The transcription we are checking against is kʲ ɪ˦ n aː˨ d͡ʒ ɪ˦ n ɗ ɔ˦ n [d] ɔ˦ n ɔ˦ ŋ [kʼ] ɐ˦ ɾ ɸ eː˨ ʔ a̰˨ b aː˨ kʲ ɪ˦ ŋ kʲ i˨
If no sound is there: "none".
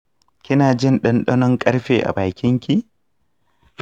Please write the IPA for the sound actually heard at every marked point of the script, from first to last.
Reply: ɗ, kʼ

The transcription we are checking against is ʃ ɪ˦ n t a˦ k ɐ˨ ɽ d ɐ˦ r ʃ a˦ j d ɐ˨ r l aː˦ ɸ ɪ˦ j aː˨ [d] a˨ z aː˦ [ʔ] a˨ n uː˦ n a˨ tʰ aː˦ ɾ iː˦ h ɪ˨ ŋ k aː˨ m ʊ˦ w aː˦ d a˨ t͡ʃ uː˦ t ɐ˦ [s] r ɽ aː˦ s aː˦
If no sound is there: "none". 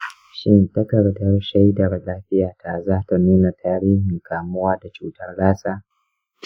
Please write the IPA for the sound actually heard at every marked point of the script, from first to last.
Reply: t, t, none

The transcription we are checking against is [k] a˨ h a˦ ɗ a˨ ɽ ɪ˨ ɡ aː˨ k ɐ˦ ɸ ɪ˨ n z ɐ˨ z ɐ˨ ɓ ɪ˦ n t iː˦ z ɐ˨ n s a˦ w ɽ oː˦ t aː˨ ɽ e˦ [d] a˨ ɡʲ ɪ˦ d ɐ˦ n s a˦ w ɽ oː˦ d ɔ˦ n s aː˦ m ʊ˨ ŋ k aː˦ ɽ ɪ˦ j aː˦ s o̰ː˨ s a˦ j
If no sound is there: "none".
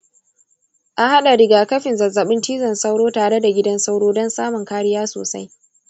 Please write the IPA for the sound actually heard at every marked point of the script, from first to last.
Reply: ʔ, d

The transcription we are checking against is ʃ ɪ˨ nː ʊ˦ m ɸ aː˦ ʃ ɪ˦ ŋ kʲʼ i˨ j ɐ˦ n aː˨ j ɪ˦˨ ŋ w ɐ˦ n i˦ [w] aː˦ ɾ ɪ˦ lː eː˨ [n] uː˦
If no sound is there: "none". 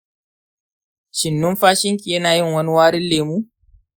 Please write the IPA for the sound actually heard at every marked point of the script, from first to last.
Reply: w, m

